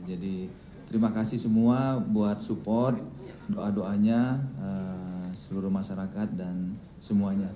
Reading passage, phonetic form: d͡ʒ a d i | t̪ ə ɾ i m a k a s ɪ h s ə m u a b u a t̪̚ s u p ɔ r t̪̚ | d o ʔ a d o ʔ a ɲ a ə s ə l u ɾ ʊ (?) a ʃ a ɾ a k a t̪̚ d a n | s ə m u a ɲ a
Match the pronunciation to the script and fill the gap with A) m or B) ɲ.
A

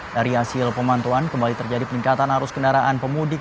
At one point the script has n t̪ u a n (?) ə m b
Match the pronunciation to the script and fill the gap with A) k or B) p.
A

